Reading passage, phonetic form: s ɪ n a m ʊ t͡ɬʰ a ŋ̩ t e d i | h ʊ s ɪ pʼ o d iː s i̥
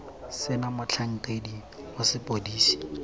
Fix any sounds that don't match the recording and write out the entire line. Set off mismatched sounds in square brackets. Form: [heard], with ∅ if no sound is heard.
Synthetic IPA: s ɪ n a m ʊ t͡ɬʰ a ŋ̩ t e d i | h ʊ s ɪ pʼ o d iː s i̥